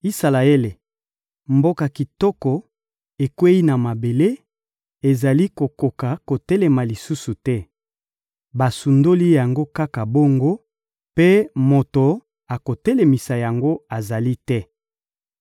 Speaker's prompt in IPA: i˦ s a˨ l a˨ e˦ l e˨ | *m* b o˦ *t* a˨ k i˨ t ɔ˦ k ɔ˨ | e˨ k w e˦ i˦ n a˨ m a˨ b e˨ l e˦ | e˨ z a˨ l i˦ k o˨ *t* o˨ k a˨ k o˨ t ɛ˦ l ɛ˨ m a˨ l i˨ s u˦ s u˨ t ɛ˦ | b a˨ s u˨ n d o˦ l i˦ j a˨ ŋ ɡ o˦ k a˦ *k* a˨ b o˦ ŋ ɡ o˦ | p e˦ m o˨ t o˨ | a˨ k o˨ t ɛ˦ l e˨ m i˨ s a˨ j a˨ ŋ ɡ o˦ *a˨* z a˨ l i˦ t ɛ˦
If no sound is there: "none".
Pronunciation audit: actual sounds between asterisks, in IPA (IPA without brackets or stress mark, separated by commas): m, k, k, k, a˨